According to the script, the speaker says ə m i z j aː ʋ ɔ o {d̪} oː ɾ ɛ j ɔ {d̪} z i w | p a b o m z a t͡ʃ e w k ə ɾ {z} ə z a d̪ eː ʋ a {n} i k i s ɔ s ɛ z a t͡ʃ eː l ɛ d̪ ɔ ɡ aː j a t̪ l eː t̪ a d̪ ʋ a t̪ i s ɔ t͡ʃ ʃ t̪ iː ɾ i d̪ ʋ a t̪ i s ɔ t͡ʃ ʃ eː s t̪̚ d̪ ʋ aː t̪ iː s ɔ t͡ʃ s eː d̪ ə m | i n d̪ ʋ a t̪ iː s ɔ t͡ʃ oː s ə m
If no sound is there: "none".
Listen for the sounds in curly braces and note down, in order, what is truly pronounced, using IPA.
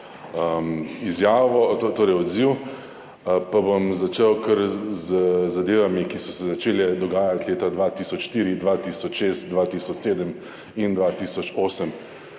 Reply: t̪, d̪, z, m

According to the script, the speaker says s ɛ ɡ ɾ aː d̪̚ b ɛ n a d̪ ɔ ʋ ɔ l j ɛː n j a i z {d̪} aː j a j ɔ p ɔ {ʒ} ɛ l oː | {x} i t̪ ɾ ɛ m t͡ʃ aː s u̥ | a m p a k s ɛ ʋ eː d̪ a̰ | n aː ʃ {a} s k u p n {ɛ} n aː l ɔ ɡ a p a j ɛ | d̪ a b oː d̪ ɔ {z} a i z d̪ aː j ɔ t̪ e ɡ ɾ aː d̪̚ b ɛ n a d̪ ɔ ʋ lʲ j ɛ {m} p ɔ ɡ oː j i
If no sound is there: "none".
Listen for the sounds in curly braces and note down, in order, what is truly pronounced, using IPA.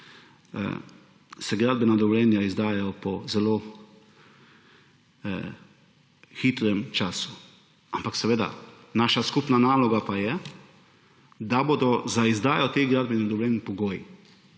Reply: d̪, z, x, a, a, z, n

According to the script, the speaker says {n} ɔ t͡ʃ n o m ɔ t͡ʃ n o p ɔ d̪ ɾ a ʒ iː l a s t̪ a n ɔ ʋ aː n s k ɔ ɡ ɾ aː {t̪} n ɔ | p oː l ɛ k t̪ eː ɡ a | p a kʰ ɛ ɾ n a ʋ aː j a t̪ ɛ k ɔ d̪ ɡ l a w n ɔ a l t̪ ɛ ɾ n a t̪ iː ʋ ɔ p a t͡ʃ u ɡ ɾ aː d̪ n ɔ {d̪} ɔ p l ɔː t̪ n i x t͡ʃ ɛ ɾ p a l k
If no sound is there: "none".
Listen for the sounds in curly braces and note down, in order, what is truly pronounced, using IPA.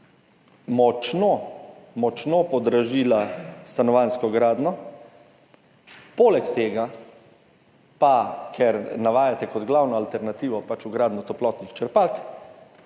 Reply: m, d̪, t̪

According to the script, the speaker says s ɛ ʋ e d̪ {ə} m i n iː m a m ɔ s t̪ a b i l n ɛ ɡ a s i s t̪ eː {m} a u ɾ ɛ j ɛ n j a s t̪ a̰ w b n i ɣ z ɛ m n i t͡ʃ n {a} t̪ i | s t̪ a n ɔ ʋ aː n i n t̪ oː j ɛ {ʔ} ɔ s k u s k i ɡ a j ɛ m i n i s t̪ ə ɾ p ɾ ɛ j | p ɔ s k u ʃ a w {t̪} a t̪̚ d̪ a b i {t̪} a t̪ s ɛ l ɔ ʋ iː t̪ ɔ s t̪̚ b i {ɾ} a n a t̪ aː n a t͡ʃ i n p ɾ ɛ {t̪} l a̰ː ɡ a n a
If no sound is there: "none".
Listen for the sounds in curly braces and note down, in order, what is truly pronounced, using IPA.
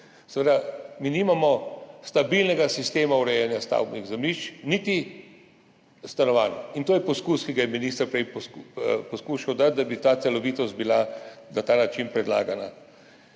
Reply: a, m, i, p, d̪, t̪, l, d̪

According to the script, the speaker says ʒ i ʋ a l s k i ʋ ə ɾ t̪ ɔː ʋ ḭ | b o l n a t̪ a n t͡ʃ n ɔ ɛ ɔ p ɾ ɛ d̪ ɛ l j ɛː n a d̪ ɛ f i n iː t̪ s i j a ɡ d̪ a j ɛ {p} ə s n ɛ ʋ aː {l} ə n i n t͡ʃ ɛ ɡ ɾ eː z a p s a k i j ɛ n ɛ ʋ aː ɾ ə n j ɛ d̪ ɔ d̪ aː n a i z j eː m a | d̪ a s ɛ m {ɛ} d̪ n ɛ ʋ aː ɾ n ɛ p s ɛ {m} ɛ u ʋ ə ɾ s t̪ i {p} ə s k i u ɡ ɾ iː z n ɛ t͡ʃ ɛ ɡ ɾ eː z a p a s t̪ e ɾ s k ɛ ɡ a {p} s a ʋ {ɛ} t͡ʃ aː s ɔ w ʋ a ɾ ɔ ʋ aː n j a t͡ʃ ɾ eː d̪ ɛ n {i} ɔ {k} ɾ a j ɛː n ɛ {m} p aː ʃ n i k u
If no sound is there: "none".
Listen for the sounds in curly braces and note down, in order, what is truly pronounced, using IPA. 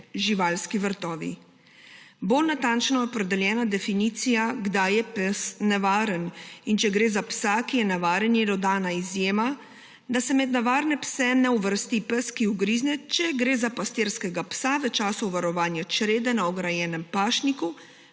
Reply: p, ɾ, ɛ, n, p, p, ɛ, a, ɡ, m

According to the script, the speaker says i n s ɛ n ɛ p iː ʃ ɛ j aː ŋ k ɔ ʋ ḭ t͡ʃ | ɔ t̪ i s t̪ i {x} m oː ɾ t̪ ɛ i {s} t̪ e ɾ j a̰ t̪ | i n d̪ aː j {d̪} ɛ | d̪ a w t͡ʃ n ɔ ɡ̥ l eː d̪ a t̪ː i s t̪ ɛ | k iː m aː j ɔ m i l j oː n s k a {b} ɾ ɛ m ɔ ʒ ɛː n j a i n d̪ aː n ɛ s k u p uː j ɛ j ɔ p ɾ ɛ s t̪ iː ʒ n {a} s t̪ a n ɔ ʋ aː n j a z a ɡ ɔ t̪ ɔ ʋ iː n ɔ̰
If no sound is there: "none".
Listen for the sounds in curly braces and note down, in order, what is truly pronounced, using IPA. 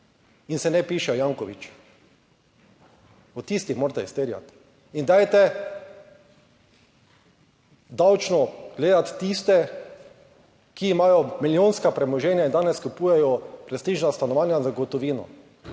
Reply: x, s, t̪, p, a

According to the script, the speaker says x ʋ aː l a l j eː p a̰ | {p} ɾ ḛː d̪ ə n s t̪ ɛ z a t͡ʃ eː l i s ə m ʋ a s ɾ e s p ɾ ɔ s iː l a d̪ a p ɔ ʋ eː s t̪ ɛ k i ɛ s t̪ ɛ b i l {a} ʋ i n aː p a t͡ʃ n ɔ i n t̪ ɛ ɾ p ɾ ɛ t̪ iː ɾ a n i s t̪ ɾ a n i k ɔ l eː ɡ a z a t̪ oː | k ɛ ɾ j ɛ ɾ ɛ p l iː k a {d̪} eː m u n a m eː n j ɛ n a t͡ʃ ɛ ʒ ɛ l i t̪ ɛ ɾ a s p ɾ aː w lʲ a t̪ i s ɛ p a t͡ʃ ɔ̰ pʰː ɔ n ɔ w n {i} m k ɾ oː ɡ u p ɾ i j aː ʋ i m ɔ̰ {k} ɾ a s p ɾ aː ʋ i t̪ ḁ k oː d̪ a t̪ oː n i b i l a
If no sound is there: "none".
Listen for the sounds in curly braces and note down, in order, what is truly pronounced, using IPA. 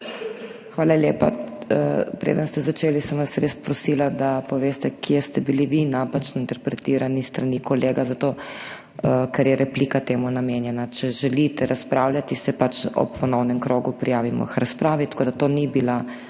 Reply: p, i, t̪, ɛ, x

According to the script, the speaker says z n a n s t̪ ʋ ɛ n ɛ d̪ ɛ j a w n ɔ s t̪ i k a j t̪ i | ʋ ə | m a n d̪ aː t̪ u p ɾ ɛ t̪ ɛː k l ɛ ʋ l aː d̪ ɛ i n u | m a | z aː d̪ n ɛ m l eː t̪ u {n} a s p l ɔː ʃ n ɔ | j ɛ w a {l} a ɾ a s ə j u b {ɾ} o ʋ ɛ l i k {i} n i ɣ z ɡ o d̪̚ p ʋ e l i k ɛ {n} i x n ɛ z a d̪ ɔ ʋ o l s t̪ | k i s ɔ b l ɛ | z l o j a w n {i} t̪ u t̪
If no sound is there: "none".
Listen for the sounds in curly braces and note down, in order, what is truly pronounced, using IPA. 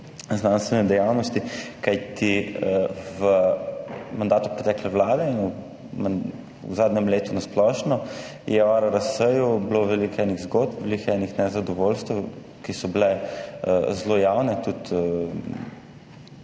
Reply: n, ɾ, l, ɛ, n, ɛ

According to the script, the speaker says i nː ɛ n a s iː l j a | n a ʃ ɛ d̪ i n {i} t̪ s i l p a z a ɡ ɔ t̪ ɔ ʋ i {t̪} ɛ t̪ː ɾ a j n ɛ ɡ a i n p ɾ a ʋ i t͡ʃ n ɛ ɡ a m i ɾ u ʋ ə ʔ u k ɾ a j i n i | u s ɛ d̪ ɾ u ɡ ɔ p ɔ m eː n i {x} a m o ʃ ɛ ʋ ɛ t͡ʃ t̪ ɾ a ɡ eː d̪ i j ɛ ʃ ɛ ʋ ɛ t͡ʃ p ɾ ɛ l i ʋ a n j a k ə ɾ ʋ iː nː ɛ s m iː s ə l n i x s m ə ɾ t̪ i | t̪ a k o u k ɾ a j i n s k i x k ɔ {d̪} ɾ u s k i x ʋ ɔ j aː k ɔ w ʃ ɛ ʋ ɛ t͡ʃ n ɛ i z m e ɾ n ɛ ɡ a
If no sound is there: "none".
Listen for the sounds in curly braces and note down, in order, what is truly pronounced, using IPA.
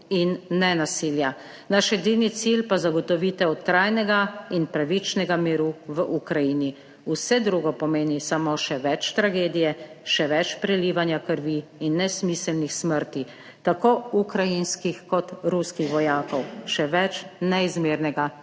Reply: i, t̪, s, t̪

